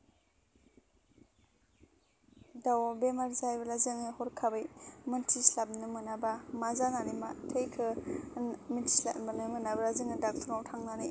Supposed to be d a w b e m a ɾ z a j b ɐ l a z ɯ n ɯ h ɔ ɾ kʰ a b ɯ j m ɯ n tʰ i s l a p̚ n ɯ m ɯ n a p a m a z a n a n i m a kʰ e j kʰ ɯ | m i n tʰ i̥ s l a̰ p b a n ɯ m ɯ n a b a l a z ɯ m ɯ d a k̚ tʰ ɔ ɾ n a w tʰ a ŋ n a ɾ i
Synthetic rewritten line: d a w b e m a ɾ z a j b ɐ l a z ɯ ŋ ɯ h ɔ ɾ kʰ a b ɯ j m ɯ n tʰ i s l a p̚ n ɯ m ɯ n a b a m a z a n a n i m a tʰ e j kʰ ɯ | m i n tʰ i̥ s l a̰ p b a n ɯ m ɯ n a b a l a z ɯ ŋ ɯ d a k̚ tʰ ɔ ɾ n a w tʰ a ŋ n a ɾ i